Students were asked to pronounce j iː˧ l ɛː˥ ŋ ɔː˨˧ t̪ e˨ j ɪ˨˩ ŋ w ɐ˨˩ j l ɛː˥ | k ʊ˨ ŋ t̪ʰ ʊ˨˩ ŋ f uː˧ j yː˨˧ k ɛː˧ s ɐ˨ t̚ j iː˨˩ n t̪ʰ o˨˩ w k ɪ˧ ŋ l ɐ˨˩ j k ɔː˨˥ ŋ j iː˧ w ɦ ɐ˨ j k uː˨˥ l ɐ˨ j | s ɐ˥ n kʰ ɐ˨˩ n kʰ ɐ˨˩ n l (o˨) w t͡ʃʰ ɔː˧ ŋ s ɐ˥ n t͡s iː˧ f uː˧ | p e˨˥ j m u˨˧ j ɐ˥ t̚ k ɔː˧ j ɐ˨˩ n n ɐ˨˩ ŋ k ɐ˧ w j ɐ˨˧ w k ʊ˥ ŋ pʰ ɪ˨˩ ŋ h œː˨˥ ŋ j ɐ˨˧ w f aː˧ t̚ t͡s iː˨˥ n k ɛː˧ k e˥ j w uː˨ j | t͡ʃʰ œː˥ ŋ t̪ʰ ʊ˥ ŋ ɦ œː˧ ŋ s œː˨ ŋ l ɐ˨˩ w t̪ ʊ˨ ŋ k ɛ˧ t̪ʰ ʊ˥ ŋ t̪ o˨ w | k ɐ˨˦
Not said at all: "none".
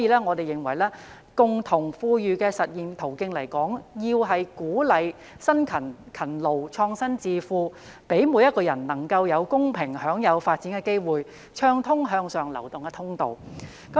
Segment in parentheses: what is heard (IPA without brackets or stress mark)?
o˨